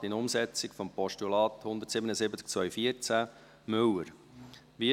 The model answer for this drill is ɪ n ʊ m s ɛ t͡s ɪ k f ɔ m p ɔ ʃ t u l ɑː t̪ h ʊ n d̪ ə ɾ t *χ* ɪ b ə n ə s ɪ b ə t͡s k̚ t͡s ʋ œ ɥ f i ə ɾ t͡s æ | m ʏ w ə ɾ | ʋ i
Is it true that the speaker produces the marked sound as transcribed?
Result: no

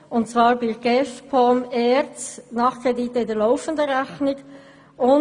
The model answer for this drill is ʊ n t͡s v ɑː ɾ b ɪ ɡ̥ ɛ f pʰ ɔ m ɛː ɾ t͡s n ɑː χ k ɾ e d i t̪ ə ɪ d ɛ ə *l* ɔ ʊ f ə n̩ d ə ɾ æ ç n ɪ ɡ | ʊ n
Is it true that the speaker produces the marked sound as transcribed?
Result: yes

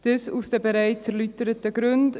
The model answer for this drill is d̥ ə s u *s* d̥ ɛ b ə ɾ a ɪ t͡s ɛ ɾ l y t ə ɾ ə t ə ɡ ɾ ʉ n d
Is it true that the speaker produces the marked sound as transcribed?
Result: yes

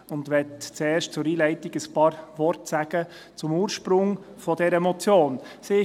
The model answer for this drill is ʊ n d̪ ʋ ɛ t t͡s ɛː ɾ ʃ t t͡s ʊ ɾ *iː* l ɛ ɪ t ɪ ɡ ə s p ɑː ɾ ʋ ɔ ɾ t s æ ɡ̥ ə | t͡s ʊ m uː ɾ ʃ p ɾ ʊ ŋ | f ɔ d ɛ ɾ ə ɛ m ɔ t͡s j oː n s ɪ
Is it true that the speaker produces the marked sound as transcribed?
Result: yes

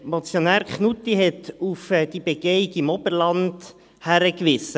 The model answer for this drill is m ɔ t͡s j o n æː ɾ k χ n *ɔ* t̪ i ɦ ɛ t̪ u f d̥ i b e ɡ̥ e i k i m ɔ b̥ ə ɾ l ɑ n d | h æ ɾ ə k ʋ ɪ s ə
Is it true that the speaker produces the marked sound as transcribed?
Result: no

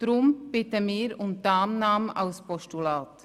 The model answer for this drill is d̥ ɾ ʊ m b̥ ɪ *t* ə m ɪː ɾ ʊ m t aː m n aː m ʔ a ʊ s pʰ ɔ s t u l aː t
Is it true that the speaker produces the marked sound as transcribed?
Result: yes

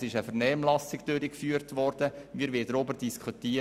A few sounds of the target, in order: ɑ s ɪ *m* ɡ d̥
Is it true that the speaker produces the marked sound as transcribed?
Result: no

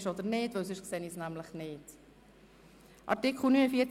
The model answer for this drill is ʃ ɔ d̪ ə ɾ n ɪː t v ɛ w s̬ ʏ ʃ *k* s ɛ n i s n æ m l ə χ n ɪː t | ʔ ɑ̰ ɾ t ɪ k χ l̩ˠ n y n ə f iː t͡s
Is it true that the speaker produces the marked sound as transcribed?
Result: yes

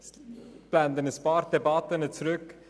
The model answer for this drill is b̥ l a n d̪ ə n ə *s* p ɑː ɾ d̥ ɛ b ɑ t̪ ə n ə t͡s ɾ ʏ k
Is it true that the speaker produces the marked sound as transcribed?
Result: yes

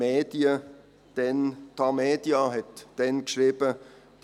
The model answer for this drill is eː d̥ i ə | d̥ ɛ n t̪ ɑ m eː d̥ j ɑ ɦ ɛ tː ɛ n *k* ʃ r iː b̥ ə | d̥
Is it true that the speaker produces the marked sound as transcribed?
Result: yes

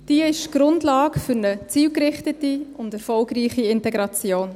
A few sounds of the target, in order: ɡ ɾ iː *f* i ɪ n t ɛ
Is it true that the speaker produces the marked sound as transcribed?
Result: no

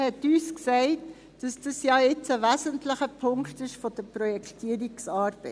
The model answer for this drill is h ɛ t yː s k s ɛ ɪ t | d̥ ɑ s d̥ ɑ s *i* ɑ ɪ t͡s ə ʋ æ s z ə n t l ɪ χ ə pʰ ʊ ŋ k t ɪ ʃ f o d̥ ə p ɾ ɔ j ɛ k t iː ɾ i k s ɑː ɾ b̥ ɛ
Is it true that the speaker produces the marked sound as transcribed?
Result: no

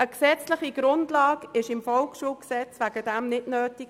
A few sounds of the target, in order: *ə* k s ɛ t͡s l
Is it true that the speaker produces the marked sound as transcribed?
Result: yes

